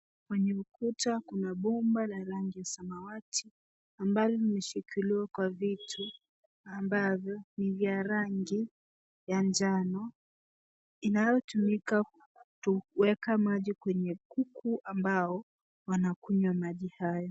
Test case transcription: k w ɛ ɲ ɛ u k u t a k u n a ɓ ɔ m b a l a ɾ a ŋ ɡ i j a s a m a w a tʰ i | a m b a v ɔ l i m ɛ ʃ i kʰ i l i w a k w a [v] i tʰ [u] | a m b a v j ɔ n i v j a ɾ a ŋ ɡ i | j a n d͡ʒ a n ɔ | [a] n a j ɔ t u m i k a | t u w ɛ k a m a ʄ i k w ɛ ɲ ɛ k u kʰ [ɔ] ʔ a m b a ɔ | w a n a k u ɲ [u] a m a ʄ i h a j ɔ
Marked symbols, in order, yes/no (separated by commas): yes, yes, no, no, no